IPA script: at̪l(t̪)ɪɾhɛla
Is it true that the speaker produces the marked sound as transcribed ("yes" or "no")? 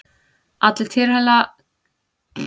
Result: no